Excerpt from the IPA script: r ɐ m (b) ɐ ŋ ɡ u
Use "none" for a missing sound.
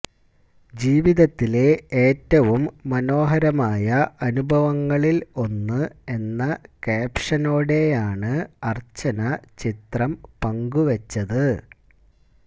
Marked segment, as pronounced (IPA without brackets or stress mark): p